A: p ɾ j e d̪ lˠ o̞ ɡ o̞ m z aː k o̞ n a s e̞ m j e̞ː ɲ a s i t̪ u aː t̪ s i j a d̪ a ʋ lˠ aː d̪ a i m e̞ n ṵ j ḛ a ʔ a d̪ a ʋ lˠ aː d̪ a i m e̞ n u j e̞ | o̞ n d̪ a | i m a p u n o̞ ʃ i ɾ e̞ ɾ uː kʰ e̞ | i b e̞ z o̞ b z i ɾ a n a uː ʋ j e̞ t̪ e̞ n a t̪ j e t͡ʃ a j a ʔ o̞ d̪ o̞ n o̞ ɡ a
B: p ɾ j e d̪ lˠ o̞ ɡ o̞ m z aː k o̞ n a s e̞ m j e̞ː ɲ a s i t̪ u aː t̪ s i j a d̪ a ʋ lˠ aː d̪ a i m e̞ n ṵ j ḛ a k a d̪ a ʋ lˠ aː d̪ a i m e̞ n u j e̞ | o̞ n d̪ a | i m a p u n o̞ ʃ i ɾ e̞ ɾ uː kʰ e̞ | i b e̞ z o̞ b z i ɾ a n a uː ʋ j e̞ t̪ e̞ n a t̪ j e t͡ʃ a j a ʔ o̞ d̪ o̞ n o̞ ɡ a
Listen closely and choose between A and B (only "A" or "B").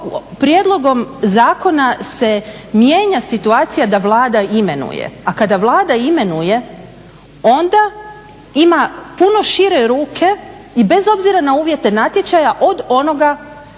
B